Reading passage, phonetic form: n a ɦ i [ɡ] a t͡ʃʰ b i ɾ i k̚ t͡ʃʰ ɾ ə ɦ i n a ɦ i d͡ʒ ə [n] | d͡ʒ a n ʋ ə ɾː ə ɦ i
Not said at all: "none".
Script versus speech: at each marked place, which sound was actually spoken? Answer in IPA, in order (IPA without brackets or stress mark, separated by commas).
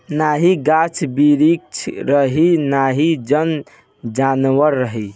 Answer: ɡ, n